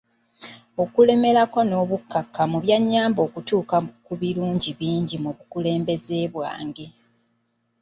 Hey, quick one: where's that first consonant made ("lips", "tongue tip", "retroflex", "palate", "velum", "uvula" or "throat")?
velum